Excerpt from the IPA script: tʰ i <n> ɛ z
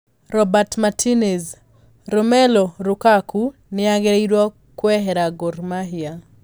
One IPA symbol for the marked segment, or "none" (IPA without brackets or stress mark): n